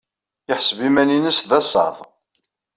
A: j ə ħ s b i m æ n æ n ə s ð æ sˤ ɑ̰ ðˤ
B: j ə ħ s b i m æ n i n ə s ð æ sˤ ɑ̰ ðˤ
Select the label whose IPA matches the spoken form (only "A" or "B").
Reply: B